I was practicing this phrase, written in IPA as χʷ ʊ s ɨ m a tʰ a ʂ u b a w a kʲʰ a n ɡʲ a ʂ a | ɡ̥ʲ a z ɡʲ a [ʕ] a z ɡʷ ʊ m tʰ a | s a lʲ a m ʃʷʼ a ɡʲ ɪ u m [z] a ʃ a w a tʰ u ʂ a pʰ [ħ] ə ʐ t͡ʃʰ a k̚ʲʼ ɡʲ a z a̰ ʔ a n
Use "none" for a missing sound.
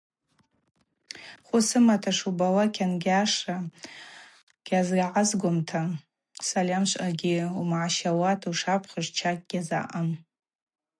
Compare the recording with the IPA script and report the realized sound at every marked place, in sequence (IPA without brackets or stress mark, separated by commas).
ʕ, ʕ, χ